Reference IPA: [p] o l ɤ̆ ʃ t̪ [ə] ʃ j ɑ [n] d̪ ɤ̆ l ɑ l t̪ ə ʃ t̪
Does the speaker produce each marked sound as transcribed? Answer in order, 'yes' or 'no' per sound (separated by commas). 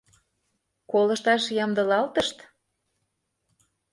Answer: no, no, no